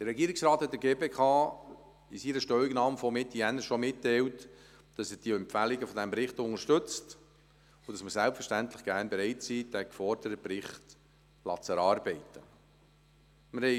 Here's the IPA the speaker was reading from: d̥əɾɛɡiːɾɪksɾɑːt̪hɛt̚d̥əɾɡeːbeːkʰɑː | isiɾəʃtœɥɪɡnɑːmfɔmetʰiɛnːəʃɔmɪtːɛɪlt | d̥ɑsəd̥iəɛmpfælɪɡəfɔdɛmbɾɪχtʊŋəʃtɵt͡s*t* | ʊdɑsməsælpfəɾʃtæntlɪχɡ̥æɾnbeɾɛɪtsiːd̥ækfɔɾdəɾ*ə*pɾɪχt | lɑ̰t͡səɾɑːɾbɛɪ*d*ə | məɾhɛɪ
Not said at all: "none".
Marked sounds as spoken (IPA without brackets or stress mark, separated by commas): t, ə, t